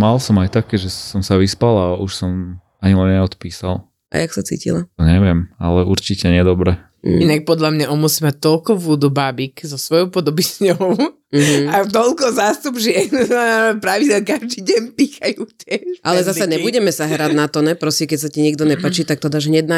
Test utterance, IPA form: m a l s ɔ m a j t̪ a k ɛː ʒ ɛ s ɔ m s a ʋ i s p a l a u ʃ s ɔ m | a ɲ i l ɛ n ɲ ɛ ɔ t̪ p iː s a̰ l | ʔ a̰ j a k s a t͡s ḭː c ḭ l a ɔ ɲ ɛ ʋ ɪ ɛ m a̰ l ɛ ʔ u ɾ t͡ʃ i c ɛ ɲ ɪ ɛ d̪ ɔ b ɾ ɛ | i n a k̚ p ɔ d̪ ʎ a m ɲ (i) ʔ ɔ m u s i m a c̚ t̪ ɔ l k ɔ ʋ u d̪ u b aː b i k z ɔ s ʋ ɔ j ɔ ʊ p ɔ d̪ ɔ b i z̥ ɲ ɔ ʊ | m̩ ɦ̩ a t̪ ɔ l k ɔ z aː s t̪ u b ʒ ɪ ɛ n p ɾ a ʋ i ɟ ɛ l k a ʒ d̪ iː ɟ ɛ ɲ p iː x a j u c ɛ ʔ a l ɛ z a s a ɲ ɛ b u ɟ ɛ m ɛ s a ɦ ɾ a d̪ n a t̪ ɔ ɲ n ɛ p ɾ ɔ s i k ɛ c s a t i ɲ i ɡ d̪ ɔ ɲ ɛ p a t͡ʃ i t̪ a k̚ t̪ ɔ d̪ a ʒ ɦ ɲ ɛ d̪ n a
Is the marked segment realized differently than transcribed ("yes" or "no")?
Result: yes